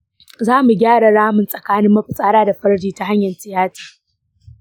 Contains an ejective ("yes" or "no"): yes